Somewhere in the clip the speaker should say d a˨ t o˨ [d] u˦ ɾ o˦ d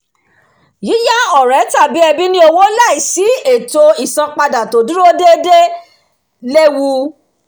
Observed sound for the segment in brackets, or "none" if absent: d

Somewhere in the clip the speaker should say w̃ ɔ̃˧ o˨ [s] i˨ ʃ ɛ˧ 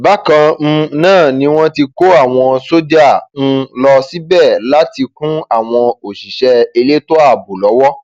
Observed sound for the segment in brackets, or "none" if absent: ʃ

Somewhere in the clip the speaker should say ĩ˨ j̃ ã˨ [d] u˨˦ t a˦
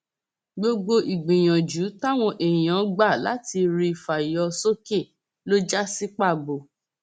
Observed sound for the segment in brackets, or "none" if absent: d͡ʒ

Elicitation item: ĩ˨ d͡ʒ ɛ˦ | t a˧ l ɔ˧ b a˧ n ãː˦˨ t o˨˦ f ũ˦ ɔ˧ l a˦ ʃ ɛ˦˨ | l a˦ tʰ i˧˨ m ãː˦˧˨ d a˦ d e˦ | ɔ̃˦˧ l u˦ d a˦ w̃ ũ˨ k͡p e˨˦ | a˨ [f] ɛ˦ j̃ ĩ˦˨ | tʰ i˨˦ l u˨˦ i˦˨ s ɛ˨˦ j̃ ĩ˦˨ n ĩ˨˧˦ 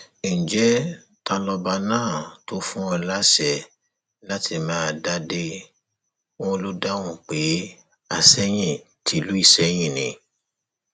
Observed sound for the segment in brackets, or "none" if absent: s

